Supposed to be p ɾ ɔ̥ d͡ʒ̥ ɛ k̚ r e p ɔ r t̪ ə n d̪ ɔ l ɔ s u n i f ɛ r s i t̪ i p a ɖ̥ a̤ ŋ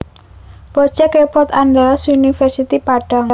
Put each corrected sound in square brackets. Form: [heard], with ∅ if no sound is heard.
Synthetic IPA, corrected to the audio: p ɾ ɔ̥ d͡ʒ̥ ɛ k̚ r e p ɔ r t̪ [a] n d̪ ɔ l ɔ s u n i f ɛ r s i t̪ i p a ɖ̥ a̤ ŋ